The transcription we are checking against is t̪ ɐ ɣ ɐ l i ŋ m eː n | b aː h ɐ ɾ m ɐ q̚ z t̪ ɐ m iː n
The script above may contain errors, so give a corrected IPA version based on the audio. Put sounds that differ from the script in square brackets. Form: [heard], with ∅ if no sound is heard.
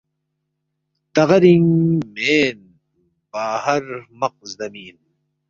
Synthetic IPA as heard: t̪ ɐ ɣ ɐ [ɾ] i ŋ m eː n | b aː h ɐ ɾ m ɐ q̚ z [d̪] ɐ m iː n